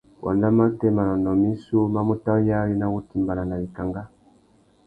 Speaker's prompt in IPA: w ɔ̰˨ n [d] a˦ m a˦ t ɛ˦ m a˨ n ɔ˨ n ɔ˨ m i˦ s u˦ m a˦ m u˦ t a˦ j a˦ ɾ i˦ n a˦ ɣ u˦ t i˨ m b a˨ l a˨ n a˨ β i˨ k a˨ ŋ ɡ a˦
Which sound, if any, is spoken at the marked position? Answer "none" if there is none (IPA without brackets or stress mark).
d